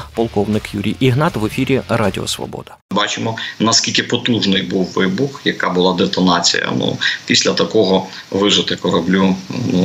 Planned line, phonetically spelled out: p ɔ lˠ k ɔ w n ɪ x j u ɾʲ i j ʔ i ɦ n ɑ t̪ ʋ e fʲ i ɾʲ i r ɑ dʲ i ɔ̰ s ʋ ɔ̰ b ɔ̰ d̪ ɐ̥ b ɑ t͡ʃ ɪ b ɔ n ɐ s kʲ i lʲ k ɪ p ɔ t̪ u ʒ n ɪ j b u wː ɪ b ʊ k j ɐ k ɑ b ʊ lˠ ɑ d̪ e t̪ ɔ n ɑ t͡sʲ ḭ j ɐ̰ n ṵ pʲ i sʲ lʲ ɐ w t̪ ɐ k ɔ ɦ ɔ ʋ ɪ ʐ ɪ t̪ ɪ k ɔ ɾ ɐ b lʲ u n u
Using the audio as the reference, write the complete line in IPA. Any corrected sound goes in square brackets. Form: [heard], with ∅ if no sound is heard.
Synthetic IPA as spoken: p ɔ lˠ k ɔ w n ɪ [k] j u ɾʲ i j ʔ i ɦ n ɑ t̪ ʋ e fʲ i ɾʲ i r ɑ dʲ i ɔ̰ s ʋ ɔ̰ b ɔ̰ d̪ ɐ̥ b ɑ t͡ʃ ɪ [m] ɔ n ɐ s kʲ i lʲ k ɪ p ɔ t̪ u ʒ n ɪ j b u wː ɪ b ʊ [x] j ɐ k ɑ b ʊ lˠ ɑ d̪ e t̪ ɔ n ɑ t͡sʲ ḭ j ɐ̰ n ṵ pʲ i sʲ lʲ ɐ [∅] t̪ ɐ k ɔ ɦ ɔ ʋ ɪ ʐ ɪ t̪ ɪ k ɔ ɾ ɐ b lʲ u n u